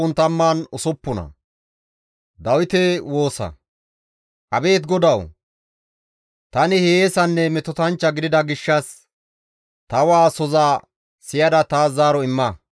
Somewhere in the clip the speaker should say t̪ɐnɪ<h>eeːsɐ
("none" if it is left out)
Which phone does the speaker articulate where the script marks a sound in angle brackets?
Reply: h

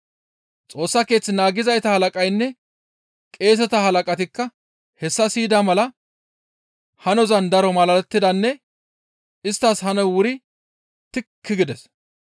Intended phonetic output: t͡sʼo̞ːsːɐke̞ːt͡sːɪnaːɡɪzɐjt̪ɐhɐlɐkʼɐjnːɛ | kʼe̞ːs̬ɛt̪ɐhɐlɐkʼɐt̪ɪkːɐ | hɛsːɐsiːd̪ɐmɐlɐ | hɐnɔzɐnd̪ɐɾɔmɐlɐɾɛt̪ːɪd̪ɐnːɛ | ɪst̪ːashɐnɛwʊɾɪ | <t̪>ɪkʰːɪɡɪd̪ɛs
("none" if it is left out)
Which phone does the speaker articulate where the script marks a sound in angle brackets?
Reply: t̪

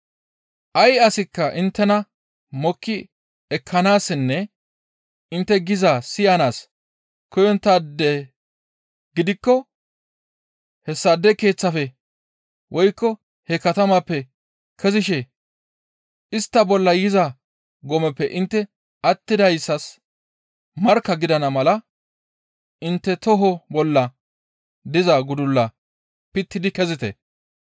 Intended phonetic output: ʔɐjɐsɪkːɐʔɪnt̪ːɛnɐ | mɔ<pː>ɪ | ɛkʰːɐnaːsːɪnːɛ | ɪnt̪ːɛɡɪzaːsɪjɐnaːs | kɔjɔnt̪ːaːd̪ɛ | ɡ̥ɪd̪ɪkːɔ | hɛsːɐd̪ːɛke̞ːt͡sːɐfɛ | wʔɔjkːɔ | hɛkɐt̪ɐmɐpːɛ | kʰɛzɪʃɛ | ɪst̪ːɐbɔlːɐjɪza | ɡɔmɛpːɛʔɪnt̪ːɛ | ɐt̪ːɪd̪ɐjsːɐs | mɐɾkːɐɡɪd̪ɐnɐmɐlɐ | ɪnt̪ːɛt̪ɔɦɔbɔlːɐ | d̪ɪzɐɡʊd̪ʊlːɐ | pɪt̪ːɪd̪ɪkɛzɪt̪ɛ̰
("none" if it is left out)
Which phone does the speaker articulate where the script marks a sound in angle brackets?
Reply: kː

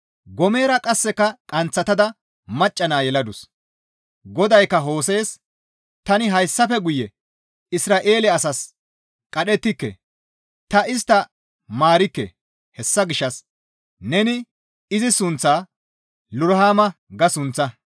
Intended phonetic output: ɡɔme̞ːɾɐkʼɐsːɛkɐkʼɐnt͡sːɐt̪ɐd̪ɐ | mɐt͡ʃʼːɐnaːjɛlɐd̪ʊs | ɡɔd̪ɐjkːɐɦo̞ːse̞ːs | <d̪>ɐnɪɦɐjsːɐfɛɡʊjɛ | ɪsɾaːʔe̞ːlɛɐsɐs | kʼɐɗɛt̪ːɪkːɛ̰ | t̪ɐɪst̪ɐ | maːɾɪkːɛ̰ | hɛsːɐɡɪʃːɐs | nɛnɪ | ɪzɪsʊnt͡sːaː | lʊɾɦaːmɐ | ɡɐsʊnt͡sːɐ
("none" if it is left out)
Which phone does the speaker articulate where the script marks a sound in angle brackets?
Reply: t̪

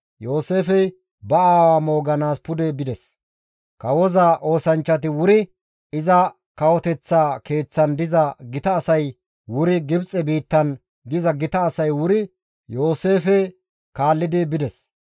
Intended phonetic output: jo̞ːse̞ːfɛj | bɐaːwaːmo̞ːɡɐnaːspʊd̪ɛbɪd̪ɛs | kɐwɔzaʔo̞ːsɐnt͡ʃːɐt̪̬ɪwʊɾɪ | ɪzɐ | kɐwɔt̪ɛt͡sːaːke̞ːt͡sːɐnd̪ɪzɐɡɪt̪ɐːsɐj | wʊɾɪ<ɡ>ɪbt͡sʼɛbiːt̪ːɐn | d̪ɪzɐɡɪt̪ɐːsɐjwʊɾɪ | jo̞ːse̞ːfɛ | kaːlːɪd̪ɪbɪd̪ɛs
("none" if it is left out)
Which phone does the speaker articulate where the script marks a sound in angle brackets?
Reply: ɡ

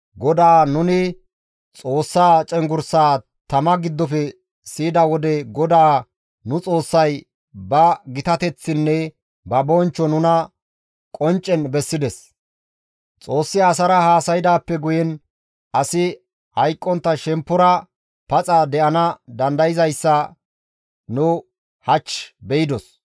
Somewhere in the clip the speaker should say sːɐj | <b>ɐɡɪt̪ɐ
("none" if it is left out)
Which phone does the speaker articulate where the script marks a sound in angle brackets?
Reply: b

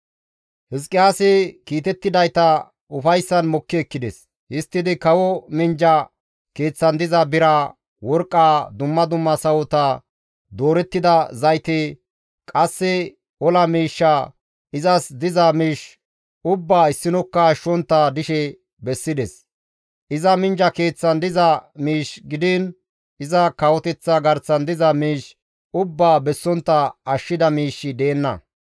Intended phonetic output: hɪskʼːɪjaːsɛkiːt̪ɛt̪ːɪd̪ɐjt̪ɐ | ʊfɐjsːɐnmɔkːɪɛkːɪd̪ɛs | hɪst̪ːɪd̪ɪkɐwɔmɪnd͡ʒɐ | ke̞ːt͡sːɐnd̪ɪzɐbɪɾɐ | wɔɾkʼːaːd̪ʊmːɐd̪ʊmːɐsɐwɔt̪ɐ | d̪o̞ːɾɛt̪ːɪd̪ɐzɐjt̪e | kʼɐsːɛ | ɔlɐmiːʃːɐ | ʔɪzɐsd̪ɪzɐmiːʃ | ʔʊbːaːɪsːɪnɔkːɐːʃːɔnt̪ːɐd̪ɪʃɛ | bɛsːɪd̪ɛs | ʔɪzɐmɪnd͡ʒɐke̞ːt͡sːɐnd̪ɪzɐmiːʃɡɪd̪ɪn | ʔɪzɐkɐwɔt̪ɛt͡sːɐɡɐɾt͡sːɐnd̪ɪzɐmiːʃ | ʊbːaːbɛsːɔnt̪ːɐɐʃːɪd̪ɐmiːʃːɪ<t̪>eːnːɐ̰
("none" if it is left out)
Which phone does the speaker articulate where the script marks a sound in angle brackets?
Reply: d̪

